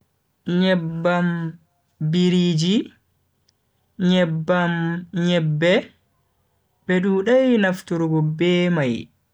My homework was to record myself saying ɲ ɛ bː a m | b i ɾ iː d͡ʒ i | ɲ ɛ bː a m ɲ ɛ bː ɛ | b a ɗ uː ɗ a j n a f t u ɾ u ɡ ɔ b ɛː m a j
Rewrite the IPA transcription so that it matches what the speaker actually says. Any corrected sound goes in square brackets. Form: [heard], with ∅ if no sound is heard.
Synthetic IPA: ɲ ɛ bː a m | b i ɾ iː d͡ʒ i | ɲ ɛ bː a m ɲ ɛ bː ɛ | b [ɛ] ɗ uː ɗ a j n a f t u ɾ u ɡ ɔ b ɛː m a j